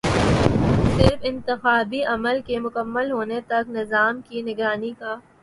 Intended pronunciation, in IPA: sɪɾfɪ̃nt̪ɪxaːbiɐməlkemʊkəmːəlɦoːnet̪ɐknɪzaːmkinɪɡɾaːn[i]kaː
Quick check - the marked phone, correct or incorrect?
correct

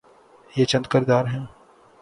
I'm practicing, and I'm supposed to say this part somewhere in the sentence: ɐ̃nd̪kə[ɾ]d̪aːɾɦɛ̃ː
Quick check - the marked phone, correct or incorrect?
correct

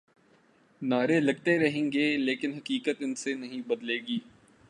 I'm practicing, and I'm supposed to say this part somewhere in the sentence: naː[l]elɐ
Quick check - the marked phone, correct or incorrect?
incorrect: ɾ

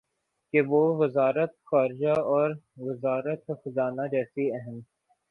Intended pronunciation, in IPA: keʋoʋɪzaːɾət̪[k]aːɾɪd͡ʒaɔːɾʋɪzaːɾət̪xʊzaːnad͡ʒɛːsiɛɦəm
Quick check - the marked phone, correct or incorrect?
incorrect: x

